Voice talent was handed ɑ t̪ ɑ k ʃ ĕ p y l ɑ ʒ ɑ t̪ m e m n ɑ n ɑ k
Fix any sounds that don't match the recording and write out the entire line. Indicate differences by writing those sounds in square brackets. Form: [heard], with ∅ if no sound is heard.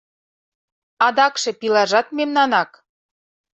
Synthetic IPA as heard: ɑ [d̪] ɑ k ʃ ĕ p [i] l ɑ ʒ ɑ t̪ m e m n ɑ n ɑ k